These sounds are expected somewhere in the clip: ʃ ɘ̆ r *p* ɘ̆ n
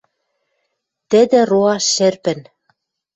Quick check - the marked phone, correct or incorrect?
correct